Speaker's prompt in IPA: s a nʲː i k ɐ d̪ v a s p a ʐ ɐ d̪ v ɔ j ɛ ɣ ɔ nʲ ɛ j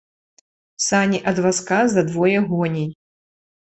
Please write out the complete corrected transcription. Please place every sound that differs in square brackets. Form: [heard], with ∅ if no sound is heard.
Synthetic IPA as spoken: s a [nʲ] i [ʔ] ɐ d̪ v a s [k] a [z] ɐ d̪ v ɔ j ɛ ɣ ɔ nʲ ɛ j